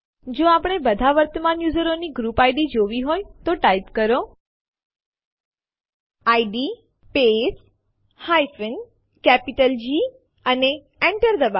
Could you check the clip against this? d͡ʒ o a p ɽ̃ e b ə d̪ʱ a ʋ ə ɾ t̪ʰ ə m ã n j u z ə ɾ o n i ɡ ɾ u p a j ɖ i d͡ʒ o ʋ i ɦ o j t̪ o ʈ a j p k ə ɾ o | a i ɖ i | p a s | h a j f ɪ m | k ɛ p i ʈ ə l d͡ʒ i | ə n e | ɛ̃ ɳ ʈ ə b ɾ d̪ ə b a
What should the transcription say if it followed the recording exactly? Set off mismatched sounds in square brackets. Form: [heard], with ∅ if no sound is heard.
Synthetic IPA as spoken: d͡ʒ o a p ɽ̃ e b ə d̪ʱ a ʋ ə ɾ [t̪] ə m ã n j u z ə ɾ o n i ɡ ɾ u p a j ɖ i d͡ʒ o ʋ i ɦ o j t̪ o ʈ a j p k ə ɾ o | a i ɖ i | p [e] s | h a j f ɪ [n] | k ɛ p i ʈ ə l d͡ʒ i | ə n e | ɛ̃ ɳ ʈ ə [∅] ɾ d̪ ə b a